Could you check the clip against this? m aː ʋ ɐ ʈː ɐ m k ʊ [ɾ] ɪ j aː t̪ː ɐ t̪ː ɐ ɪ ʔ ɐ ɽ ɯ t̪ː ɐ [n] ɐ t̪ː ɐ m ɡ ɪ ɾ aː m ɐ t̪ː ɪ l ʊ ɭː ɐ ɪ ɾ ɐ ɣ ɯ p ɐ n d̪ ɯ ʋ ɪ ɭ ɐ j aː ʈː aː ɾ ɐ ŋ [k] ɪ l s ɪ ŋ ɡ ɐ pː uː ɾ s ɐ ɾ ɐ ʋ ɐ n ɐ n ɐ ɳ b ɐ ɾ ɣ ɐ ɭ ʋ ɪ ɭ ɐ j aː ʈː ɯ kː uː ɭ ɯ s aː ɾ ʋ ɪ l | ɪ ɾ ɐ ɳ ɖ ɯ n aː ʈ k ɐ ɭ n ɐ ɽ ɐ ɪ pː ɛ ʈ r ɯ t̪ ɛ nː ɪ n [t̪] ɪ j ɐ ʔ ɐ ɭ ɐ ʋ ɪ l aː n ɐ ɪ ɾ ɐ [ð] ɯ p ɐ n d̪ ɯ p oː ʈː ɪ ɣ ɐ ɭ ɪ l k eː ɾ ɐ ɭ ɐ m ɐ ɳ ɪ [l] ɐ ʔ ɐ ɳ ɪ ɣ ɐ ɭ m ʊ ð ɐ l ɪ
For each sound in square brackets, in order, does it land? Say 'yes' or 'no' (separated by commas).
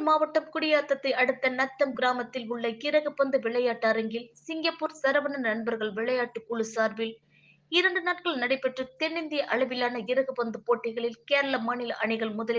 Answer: no, yes, no, no, no, yes